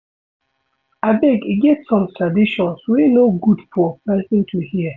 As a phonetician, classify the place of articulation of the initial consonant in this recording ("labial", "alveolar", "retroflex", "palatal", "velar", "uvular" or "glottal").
labial